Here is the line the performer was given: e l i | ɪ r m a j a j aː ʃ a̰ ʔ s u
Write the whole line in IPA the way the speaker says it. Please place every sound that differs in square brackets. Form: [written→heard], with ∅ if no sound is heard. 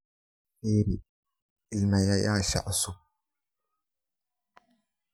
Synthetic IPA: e [l→ɾ] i | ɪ [r→l] m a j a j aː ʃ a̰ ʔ s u